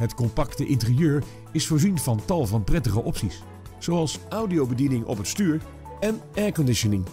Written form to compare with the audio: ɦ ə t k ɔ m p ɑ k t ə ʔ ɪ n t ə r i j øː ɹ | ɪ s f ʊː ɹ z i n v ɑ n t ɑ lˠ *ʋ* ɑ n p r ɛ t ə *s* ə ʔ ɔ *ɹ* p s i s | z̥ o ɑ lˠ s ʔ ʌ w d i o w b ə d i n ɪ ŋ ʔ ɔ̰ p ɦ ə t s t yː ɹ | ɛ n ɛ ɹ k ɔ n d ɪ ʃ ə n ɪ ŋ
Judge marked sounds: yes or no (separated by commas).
no, no, no